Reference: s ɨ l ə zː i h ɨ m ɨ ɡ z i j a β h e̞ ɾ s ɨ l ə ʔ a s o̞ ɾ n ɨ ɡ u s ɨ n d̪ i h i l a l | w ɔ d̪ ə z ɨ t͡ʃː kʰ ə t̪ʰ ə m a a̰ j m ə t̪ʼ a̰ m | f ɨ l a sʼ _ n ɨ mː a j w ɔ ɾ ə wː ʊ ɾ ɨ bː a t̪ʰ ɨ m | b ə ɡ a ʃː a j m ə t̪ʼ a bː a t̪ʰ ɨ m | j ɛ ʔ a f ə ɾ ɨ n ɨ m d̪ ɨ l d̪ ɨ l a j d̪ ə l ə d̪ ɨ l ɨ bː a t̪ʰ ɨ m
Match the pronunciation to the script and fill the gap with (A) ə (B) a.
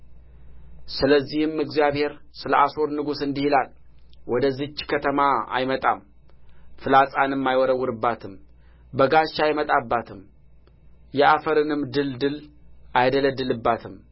B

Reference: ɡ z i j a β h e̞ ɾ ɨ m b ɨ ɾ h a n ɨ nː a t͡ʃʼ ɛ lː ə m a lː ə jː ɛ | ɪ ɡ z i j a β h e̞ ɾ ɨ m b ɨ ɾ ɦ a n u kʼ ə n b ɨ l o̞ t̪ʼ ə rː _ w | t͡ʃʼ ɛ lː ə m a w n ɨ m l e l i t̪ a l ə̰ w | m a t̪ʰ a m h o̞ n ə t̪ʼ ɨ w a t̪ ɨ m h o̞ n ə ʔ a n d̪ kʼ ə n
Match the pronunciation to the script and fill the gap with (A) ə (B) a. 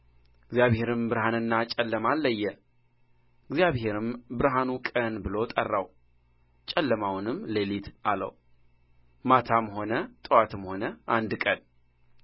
B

